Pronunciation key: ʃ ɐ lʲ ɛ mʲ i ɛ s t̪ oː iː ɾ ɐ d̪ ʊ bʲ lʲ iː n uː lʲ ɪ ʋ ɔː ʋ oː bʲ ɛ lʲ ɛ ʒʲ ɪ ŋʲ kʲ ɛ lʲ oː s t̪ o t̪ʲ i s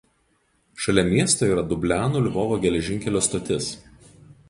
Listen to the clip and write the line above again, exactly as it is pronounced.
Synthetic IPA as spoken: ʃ ɐ lʲ ɛ mʲ i ɛ s t̪ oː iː ɾ ɐ d̪ ʊ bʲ lʲ æː n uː lʲ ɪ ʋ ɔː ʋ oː ɡʲ ɛ lʲ ɛ ʒʲ ɪ ŋʲ kʲ ɛ lʲ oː s t̪ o t̪ʲ ɪ s